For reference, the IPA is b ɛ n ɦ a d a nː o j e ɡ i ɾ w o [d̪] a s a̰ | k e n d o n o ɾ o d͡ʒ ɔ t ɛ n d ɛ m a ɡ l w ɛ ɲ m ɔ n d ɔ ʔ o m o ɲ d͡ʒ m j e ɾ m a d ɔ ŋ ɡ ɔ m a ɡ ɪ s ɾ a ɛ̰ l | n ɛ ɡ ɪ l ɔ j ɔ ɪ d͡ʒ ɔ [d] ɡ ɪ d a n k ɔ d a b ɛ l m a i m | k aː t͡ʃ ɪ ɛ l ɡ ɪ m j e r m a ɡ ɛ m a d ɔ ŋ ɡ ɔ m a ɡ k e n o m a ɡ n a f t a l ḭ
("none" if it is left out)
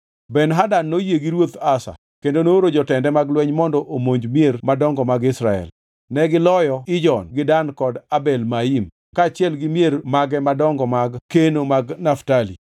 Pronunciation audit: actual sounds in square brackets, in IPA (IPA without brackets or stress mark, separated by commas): t̪, n